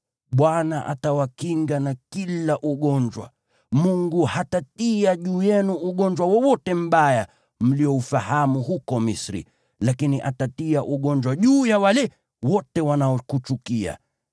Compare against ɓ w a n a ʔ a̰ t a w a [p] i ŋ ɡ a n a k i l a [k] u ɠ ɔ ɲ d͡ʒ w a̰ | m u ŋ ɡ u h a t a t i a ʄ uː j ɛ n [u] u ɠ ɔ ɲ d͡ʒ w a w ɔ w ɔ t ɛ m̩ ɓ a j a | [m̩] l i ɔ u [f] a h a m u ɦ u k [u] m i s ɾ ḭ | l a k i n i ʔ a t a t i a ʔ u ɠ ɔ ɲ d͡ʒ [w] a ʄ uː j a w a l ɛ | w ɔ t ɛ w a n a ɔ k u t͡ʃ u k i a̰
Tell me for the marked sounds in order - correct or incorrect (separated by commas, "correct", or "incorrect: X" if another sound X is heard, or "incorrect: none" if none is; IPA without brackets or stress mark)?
incorrect: k, incorrect: ʔ, correct, correct, correct, incorrect: ɔ, correct